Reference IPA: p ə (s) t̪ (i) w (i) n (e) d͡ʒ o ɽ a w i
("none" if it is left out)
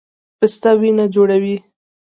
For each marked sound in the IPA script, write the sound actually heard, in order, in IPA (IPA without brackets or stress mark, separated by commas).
s, a, i, a